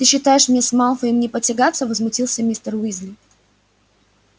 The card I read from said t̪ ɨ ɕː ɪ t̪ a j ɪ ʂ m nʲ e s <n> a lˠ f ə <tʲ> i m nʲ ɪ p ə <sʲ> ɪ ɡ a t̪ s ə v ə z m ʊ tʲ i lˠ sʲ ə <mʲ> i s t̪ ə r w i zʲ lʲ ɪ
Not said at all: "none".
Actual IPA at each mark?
m, none, tʲ, mʲ

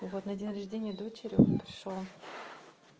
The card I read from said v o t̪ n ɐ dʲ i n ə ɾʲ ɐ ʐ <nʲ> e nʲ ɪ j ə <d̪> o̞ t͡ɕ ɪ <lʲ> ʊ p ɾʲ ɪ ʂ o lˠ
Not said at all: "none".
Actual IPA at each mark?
dʲ, d̪, ɾʲ

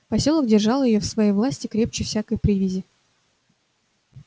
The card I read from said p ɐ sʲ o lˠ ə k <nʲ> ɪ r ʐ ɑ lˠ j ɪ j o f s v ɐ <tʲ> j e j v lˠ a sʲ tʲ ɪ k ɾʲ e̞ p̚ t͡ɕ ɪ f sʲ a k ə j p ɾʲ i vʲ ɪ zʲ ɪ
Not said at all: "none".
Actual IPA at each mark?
dʲ, none

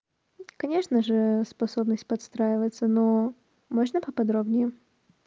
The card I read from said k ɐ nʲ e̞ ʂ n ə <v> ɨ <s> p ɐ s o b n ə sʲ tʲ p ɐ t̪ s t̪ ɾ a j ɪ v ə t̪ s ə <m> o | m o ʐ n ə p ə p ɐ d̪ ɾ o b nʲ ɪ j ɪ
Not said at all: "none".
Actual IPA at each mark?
ʐ, s, n

